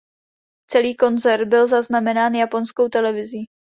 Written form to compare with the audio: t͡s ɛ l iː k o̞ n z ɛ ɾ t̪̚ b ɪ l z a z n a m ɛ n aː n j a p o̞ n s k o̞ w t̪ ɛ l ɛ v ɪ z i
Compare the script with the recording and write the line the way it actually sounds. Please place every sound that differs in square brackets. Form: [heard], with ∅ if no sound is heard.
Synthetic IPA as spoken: t͡s ɛ l iː k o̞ n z ɛ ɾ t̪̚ b ɪ l z a z n a m ɛ n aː n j a p o̞ n s k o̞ w t̪ ɛ l ɛ v ɪ z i